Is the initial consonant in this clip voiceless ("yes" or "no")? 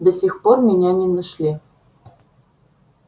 no